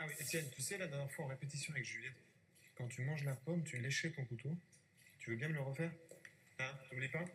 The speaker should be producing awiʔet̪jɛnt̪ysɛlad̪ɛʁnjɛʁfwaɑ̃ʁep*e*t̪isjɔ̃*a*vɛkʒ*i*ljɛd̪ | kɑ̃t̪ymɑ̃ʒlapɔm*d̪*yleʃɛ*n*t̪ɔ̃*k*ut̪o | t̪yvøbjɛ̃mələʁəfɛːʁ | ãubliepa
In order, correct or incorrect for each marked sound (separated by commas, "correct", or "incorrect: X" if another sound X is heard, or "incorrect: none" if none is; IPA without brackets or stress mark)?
correct, correct, incorrect: y, incorrect: t̪, incorrect: none, correct